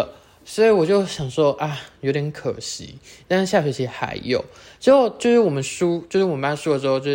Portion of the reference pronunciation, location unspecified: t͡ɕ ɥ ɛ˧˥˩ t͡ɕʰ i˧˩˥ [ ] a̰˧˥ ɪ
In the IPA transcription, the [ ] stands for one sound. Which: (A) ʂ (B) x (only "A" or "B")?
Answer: B